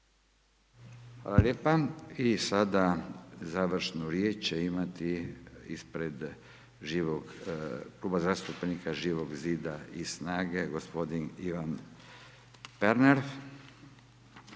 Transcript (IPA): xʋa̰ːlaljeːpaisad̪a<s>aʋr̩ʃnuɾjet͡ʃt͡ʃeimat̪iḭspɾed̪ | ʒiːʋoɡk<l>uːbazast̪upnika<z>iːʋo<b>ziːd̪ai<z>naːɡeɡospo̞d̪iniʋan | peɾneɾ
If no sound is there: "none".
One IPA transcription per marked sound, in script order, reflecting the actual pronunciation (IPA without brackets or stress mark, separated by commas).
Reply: z, l, ʒ, ɡ, s